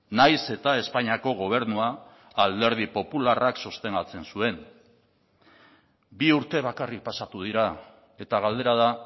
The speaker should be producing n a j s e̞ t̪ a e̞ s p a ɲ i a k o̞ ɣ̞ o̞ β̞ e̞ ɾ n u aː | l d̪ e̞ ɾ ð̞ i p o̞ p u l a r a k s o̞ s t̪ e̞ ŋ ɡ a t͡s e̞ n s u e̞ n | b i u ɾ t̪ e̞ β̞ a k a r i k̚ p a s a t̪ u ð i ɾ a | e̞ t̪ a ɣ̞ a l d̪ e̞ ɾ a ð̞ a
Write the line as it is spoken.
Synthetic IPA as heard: n a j s e̞ t̪ a e̞ s p a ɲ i a k o̞ ɣ̞ o̞ β̞ e̞ ɾ n u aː | l d̪ e̞ ɾ ð̞ i p o̞ p u l a r a k s o̞ s t̪ e̞ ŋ ɡ a t͡s e̞ n s u e̞ n | b i u ɾ t̪ e̞ β̞ a k a r i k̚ p a s a t̪ u ð i ɾ a | e̞ t̪ a ɣ̞ a l d̪ e̞ ɾ a ð̞ a